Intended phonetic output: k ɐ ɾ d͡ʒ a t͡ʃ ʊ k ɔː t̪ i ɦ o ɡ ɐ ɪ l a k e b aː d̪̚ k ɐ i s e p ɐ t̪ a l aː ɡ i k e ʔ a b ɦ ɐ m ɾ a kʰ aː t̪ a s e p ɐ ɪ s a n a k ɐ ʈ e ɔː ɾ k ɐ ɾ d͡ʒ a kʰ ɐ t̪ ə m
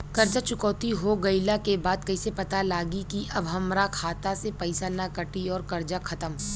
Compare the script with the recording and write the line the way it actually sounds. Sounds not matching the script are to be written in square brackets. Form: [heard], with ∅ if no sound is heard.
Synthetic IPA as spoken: k ɐ ɾ d͡ʒ a t͡ʃ ʊ k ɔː t̪ i ɦ o ɡ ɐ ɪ l a k e b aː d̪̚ k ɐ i s e p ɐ t̪ a l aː ɡ i k [i] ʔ [ɐ] b ɦ ɐ m ɾ a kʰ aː t̪ a s e p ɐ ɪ s a n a k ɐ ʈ [i] ɔː ɾ k ɐ ɾ d͡ʒ a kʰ ɐ t̪ ə m